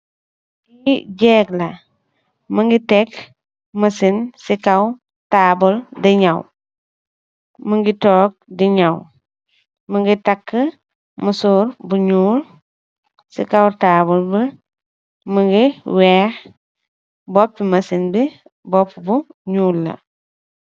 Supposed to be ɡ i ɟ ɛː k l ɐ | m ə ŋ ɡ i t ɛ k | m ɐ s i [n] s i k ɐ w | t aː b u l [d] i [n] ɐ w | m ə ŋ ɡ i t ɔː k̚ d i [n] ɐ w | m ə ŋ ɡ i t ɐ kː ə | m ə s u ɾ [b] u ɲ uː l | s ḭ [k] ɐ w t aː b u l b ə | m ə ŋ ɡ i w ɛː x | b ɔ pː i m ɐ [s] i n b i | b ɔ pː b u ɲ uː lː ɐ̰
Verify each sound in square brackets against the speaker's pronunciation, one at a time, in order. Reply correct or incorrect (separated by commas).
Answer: correct, correct, incorrect, incorrect, correct, correct, correct